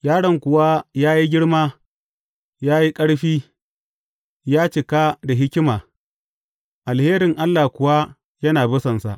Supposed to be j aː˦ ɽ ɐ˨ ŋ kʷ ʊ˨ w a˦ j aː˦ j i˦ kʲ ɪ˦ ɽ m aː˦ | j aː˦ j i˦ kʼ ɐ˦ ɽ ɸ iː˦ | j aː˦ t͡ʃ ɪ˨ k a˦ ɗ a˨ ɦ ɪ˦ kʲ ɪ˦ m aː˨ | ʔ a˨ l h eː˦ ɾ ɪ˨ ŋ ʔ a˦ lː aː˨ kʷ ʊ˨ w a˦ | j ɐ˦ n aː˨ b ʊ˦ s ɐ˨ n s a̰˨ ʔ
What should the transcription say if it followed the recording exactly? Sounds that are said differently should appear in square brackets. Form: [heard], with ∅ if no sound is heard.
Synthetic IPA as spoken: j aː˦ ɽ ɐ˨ ŋ kʷ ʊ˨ w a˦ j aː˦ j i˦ [ɡʲ] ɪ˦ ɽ m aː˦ | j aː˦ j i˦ kʼ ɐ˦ ɽ ɸ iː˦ | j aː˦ t͡ʃ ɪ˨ k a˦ [d] a˨ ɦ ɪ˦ kʲ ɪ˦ m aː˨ | ʔ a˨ l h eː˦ ɾ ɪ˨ ŋ ʔ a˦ lː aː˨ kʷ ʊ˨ w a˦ | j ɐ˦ n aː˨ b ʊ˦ s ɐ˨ n s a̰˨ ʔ